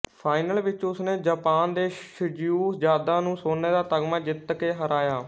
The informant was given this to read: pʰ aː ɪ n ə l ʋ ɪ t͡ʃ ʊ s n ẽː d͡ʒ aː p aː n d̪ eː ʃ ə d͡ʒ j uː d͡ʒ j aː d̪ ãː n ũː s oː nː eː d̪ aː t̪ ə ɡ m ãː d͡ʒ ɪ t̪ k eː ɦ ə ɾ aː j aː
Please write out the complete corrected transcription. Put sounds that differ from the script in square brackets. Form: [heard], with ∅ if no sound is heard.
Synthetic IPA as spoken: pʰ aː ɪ n ə l ʋ ɪ t͡ʃ ʊ s n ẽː d͡ʒ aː p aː n d̪ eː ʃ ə d͡ʒ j uː d͡ʒ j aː d̪ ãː n ũː s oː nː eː d̪ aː t̪ ə ɡ m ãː d͡ʒ ɪ t̪ k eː ɦ ə ɾ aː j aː